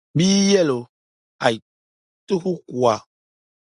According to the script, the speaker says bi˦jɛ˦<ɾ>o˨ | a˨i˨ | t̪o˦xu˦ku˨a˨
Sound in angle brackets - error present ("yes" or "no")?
yes